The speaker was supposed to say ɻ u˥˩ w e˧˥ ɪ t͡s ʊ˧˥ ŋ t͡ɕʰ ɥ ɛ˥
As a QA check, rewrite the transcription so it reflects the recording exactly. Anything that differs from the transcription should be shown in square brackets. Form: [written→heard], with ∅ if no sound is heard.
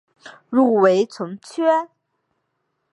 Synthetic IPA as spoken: ɻ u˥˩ w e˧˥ ɪ [t͡s→t͡sʰ] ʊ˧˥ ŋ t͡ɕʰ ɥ ɛ˥